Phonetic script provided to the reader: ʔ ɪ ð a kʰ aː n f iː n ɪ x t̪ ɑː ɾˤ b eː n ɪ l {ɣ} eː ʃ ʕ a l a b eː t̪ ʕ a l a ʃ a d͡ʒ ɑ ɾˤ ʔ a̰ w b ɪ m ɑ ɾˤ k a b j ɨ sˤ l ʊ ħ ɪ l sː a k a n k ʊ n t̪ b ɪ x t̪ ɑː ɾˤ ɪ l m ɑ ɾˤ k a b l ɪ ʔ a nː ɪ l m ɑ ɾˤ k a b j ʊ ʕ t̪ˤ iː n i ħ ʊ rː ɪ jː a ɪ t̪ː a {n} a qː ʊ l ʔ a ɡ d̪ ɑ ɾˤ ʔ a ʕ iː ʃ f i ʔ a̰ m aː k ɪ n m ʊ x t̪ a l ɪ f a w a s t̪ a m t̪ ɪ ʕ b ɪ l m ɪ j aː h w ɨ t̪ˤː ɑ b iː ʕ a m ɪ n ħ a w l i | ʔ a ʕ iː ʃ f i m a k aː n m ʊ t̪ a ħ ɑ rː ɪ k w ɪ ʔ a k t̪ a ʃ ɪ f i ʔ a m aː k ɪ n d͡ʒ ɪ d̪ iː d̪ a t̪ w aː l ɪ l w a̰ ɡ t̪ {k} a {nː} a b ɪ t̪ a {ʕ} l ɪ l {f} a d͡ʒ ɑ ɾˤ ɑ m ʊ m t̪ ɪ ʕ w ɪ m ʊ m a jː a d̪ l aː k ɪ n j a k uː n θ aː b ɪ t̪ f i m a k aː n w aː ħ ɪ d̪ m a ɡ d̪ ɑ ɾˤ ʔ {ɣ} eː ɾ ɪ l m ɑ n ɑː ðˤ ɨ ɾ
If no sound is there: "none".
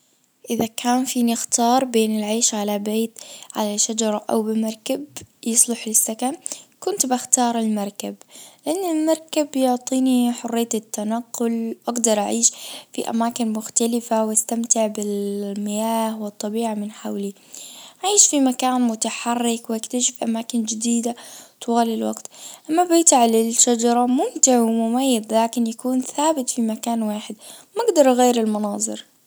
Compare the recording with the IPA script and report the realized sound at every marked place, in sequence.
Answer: ʕ, n, ʔ, mː, ʕ, ʃ, ɣ

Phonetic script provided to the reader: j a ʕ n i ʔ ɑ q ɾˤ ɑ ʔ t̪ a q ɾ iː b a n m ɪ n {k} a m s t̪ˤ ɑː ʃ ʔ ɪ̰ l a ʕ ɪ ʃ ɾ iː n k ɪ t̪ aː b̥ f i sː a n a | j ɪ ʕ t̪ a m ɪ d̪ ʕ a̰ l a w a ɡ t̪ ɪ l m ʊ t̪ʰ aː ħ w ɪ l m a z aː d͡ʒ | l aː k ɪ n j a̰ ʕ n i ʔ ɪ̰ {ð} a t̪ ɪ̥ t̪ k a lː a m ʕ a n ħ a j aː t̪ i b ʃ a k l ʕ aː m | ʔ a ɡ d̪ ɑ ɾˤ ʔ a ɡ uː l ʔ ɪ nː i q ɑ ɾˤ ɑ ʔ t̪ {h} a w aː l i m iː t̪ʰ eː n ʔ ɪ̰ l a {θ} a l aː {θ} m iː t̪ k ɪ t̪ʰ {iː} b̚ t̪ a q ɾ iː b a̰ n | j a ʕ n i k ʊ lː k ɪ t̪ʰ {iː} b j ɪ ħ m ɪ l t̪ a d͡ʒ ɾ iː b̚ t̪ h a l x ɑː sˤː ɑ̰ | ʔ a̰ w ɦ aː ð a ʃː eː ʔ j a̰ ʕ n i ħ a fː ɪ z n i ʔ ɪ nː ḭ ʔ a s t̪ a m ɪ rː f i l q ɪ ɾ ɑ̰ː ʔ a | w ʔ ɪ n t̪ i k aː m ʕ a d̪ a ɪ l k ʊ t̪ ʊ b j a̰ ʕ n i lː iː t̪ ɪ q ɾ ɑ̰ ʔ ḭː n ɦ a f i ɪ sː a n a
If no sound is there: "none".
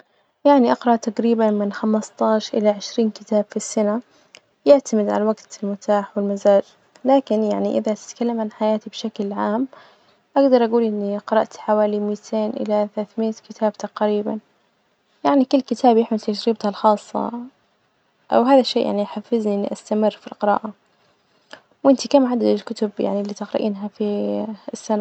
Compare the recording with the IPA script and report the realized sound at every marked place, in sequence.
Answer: x, ð, ħ, θ, θ, aː, aː

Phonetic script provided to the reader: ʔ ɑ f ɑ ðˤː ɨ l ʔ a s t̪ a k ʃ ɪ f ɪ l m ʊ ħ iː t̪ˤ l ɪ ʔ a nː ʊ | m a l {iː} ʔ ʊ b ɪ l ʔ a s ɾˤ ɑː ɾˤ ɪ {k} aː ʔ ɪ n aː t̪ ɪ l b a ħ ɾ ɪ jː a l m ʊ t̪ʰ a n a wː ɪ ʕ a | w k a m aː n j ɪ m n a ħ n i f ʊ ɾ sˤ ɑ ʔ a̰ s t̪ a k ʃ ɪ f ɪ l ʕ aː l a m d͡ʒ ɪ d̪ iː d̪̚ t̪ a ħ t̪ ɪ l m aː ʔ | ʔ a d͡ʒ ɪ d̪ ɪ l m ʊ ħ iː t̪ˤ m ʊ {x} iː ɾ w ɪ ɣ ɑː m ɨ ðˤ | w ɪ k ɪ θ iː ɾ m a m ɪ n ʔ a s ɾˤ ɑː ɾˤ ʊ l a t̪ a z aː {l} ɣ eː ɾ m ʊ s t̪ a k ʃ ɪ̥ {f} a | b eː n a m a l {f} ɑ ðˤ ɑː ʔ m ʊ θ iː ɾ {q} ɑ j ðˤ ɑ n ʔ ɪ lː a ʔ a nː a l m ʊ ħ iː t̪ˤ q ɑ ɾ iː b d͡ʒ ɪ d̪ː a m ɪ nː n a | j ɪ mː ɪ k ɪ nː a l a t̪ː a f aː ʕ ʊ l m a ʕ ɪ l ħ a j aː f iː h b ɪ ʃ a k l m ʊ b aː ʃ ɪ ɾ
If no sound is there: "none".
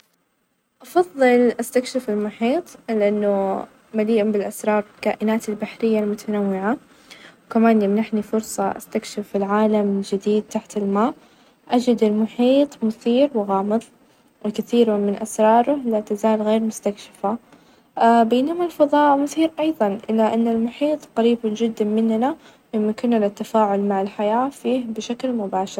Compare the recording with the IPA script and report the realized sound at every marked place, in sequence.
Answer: iː, k, θ, l, f, f, ʔ

